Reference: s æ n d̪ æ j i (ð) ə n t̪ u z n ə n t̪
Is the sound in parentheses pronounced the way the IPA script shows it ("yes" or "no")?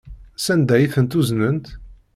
no